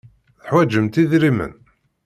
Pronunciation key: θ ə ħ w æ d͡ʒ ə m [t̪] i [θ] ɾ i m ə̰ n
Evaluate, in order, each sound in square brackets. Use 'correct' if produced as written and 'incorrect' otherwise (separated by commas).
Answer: correct, incorrect